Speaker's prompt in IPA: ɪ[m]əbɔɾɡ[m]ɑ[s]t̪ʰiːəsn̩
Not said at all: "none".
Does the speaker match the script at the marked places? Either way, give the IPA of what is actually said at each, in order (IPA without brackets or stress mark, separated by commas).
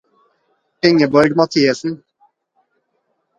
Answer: ŋ, m, none